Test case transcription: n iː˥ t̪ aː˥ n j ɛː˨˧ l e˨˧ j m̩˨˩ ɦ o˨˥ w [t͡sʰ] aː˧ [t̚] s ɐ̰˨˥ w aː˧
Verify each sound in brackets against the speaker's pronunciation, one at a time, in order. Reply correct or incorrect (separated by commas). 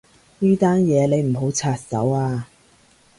correct, correct